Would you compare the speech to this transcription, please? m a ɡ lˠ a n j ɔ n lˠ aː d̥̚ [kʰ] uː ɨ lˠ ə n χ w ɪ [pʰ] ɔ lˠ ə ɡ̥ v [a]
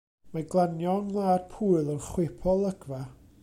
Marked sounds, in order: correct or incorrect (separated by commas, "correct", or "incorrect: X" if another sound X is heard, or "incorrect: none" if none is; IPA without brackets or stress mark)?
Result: incorrect: pʰ, correct, correct